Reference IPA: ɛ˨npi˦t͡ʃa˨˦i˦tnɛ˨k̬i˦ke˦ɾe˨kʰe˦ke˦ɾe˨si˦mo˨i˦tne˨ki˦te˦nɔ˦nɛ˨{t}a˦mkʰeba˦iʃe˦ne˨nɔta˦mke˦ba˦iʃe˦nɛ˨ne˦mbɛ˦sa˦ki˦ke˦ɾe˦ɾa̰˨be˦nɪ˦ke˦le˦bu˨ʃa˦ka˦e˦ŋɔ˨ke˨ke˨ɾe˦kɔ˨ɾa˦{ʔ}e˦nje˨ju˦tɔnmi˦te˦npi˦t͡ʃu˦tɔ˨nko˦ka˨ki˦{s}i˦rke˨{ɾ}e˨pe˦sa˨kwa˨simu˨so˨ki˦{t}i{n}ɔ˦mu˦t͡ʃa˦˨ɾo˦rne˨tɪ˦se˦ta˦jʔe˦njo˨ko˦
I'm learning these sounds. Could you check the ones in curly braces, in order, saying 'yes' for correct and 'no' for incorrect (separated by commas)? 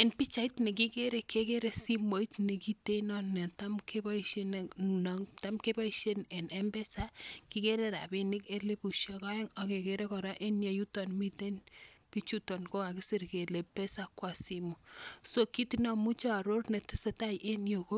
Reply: yes, yes, yes, no, yes, yes